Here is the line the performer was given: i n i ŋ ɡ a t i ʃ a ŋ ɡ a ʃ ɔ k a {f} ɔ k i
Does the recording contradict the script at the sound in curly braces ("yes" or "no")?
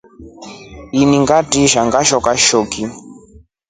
yes